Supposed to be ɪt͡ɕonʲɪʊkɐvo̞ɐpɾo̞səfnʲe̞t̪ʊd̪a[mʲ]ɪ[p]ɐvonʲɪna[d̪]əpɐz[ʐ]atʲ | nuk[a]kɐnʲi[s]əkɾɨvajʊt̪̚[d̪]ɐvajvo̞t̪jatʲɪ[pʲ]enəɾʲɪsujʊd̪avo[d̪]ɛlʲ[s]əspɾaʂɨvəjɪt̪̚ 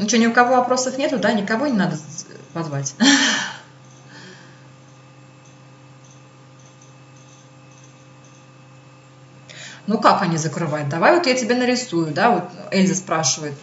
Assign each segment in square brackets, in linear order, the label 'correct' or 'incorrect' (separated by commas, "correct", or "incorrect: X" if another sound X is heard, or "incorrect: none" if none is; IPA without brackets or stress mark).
incorrect: nʲ, incorrect: k, correct, incorrect: v, correct, incorrect: z, correct, incorrect: bʲ, incorrect: t̪, incorrect: z